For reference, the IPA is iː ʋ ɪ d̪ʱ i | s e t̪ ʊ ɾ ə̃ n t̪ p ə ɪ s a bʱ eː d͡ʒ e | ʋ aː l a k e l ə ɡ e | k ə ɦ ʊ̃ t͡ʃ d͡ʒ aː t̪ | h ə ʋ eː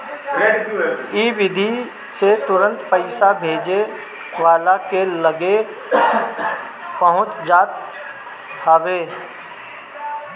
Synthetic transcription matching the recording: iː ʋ ɪ d̪ʱ i | s e t̪ ʊ ɾ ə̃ n t̪ p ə ɪ s a bʱ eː d͡ʒ e | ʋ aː l a k e l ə ɡ e | p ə ɦ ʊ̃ t͡ʃ d͡ʒ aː t̪ | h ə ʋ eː